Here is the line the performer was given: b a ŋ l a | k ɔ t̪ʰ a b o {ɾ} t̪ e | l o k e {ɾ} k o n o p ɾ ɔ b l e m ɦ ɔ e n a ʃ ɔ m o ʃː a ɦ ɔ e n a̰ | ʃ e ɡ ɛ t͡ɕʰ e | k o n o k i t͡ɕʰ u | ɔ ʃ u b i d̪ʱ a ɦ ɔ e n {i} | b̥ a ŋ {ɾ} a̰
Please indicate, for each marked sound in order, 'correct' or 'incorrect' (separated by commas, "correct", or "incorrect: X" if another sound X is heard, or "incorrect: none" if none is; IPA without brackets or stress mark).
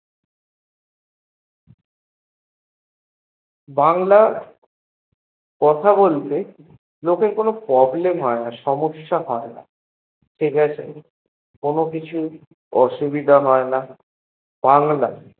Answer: incorrect: l, correct, incorrect: a, incorrect: l